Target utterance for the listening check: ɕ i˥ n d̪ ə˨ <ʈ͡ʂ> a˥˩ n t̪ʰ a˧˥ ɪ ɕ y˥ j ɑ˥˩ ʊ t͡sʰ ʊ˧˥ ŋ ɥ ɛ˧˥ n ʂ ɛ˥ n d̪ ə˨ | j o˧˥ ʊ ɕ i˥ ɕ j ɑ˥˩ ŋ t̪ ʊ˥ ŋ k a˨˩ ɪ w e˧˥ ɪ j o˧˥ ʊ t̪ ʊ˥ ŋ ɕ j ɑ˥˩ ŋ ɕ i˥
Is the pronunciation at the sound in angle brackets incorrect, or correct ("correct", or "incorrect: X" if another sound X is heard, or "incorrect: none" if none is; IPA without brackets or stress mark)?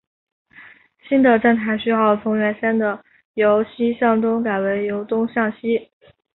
correct